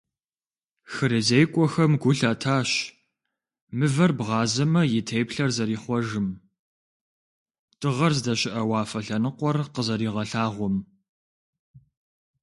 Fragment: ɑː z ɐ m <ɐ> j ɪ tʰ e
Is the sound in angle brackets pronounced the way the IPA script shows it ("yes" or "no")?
yes